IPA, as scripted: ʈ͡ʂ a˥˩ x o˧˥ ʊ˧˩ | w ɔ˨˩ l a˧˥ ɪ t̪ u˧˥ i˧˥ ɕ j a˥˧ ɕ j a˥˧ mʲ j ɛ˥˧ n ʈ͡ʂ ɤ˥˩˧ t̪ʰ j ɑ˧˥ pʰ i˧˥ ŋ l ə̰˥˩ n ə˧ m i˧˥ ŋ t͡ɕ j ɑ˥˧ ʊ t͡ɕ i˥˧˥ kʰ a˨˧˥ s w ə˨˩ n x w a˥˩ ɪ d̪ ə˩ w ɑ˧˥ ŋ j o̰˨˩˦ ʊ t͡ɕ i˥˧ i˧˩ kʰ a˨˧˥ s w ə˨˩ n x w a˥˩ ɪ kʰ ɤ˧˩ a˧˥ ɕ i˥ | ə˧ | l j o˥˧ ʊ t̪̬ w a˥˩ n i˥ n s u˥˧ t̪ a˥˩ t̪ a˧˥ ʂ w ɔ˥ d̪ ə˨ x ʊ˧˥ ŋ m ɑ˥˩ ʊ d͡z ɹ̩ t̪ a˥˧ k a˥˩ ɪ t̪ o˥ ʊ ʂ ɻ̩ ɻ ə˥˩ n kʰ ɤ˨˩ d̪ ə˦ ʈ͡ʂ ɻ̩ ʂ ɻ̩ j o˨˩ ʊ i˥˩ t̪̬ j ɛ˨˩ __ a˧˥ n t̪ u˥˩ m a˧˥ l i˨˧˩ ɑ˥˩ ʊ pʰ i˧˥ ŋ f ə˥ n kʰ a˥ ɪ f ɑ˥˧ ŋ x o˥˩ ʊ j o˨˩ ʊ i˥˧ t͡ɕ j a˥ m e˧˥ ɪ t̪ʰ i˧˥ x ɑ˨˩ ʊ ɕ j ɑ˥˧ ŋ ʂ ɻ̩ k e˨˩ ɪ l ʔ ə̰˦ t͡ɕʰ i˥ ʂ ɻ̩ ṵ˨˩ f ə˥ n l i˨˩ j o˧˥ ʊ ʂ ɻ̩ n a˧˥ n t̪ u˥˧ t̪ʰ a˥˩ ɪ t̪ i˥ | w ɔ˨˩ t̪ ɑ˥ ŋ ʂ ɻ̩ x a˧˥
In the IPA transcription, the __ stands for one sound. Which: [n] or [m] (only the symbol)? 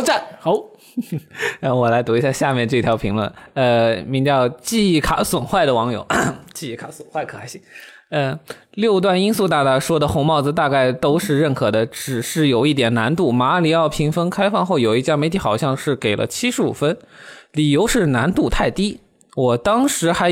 n